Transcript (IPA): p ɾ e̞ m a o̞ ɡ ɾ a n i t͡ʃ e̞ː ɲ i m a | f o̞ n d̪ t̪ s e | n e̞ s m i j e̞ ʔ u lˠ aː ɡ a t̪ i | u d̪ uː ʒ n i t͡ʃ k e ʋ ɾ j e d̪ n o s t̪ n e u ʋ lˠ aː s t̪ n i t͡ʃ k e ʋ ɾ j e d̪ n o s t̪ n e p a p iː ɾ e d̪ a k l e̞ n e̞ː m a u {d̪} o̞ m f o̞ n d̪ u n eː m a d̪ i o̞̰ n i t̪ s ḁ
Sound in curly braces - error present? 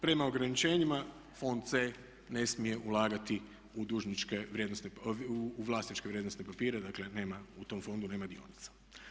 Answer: yes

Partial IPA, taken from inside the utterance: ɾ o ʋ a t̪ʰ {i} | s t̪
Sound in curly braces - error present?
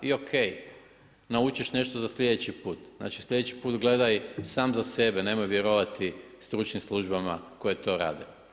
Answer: no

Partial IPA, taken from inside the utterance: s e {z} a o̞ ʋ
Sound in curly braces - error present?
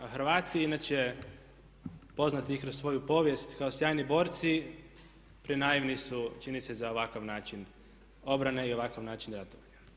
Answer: no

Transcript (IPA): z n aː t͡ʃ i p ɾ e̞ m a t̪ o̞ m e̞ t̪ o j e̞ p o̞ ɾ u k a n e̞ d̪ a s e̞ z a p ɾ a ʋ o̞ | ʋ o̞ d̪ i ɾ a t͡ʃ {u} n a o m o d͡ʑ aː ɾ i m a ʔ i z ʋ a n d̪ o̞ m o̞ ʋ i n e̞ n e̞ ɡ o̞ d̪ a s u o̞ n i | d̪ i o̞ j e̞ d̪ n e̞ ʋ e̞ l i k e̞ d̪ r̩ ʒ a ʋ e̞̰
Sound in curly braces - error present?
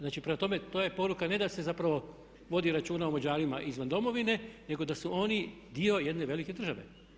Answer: yes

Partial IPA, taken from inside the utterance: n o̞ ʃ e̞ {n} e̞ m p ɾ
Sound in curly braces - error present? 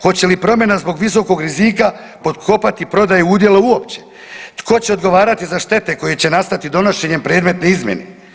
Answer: yes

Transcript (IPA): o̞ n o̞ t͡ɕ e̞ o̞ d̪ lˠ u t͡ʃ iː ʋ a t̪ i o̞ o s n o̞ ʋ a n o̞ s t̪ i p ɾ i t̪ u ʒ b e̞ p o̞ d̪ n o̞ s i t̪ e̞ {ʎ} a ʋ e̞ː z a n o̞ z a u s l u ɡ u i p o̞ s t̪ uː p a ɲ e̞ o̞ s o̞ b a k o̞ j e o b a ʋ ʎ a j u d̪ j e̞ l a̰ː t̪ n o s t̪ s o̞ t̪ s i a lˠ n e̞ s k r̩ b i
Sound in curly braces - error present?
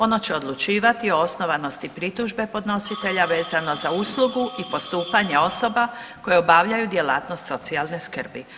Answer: no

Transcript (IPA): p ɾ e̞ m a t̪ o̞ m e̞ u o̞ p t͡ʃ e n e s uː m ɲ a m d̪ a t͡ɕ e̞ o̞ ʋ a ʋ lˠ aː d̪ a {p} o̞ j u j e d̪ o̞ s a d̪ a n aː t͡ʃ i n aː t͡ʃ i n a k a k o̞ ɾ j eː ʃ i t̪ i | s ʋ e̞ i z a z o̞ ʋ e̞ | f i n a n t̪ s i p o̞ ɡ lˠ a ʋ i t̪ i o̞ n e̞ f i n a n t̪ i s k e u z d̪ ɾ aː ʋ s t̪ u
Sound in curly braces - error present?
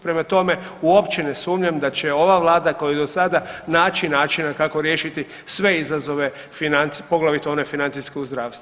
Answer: yes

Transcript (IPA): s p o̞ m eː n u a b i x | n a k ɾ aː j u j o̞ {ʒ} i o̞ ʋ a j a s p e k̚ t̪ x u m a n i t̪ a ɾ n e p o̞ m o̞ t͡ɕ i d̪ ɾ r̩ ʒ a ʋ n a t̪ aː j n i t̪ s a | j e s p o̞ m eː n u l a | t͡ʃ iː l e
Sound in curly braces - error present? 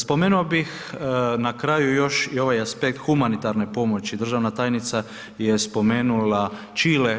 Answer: yes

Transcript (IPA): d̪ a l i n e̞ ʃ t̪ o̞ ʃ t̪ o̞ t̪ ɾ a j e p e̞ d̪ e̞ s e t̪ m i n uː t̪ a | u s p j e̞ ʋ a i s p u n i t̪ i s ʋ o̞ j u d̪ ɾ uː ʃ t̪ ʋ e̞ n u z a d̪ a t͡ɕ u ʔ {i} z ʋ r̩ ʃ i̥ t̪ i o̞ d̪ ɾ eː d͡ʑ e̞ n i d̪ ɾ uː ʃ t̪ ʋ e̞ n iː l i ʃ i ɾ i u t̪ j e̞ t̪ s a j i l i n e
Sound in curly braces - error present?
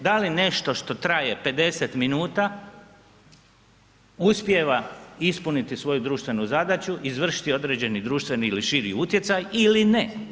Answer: no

